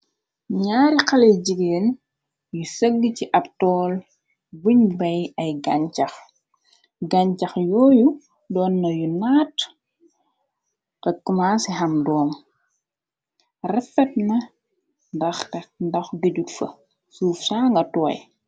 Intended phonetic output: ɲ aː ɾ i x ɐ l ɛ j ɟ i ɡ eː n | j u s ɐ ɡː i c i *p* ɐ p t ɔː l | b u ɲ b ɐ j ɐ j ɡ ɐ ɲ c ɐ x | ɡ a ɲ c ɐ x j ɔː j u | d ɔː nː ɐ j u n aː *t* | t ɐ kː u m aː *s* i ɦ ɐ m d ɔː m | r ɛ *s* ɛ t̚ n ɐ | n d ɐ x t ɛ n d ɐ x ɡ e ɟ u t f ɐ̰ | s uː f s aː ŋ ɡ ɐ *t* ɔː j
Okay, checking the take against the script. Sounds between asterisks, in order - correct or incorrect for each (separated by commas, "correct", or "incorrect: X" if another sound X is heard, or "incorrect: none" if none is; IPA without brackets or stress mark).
incorrect: ʔ, correct, correct, incorrect: f, correct